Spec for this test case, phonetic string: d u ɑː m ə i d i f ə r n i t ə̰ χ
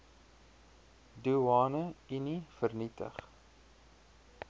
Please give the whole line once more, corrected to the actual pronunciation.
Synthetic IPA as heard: d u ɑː n ə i n i f ə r n i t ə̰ χ